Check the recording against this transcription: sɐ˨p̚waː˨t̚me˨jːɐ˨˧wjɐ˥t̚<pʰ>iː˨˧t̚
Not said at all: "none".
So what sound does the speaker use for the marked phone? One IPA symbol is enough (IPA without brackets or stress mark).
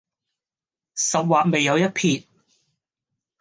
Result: pʰ